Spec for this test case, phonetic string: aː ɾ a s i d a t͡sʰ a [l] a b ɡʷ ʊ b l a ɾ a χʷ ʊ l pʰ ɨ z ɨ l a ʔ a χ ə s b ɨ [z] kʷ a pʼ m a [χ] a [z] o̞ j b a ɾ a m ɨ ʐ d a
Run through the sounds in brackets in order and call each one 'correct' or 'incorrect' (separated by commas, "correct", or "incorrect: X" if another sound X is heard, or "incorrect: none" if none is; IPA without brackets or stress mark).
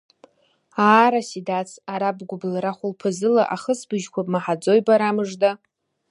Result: incorrect: ɾ, incorrect: ʒ, incorrect: ħ, incorrect: d͡z